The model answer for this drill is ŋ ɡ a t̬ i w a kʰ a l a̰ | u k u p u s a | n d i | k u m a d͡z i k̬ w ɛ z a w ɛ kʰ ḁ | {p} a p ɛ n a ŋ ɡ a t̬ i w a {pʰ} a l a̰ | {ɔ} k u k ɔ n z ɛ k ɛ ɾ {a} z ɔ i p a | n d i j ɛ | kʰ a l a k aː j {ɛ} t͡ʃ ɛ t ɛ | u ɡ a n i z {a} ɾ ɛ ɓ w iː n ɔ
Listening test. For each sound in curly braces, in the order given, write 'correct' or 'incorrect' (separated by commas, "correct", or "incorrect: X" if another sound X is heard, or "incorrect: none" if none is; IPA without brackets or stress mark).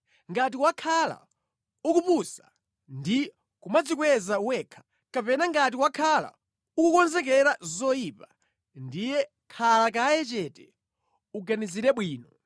incorrect: k, incorrect: kʰ, incorrect: u, correct, correct, incorrect: i